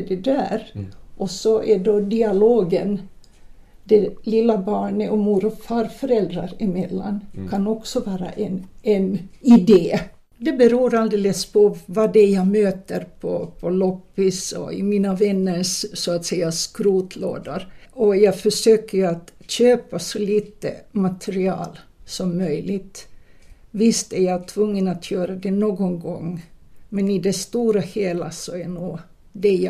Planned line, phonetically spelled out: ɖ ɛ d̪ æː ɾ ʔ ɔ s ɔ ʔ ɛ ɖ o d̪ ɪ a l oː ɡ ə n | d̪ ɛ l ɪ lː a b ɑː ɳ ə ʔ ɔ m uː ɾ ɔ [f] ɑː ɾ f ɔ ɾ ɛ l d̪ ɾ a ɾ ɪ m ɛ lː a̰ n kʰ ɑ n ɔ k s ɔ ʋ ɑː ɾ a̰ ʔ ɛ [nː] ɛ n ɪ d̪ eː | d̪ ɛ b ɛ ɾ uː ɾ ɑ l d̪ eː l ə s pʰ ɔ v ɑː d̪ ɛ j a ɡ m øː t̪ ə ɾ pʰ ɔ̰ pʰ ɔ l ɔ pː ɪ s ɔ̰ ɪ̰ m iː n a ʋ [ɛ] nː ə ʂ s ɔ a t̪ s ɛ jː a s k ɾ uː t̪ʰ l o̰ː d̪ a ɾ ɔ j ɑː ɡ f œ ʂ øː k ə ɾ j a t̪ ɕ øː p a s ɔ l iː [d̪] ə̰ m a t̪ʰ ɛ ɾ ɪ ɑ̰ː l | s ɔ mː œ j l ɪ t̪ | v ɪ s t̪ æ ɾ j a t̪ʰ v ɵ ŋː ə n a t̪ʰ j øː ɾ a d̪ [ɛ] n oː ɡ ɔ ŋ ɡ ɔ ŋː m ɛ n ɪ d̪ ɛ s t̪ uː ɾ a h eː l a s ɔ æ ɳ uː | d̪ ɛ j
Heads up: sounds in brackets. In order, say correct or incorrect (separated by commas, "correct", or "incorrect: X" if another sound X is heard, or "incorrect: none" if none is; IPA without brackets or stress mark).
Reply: correct, incorrect: n, correct, incorrect: t̪, correct